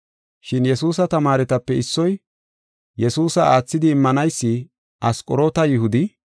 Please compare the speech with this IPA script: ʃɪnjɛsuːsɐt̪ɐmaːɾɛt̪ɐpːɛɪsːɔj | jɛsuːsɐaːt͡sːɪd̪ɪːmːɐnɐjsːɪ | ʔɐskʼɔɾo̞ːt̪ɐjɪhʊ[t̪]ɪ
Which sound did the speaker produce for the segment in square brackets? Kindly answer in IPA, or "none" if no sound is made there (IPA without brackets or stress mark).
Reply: d̪